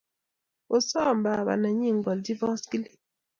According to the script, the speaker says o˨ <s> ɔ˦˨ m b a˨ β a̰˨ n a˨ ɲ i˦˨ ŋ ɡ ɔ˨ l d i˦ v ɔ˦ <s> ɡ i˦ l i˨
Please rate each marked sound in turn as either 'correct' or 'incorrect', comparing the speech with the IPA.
correct, correct

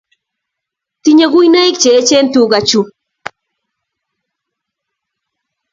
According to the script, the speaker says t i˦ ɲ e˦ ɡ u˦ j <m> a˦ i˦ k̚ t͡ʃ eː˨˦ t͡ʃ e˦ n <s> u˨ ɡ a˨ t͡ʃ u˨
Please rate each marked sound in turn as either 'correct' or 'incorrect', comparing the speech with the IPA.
incorrect: n, incorrect: t

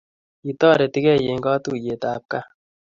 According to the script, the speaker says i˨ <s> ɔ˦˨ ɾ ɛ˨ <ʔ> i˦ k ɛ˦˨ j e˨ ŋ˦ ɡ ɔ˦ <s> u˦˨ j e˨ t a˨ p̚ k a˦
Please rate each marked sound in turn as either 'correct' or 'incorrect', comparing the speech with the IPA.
incorrect: t, incorrect: t, incorrect: t

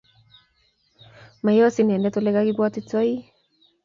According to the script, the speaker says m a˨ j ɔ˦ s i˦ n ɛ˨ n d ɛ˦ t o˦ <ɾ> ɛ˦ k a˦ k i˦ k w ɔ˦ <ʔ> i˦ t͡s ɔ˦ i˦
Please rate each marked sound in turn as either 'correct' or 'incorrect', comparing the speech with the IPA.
incorrect: l, incorrect: t

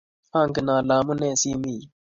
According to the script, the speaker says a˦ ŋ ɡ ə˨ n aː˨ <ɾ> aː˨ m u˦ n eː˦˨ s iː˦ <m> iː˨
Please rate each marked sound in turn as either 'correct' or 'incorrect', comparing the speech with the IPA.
incorrect: l, correct

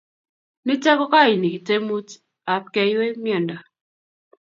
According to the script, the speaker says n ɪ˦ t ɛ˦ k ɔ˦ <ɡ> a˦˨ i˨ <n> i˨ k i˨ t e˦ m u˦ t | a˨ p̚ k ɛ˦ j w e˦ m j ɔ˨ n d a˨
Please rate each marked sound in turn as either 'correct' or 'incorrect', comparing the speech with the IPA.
incorrect: k, correct

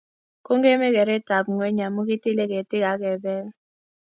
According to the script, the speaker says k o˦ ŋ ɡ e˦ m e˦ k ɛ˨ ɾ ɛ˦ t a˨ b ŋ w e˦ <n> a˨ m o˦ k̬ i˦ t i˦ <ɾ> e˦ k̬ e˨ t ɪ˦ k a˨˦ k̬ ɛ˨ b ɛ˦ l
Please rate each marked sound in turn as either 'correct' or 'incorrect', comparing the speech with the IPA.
incorrect: ɲ, incorrect: l

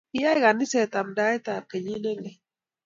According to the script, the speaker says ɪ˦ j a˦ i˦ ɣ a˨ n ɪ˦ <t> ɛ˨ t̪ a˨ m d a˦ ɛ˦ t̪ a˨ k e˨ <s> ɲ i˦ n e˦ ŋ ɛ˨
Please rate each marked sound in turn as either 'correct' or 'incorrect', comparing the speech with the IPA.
incorrect: s, incorrect: none

